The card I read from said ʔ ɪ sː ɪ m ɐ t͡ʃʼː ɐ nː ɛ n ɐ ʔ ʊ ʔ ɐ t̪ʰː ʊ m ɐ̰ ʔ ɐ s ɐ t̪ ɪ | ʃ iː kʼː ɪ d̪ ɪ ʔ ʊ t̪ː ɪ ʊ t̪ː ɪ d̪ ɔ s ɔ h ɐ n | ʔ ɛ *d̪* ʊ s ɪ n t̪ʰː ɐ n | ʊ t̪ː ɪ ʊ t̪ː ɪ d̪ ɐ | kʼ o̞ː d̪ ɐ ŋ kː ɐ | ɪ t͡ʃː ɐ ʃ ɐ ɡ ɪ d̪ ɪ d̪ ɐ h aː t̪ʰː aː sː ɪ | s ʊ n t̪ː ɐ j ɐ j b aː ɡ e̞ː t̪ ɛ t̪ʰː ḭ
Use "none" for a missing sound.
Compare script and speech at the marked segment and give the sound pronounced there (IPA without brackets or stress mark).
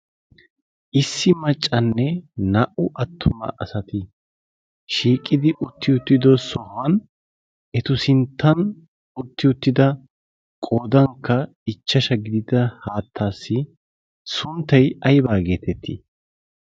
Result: t̪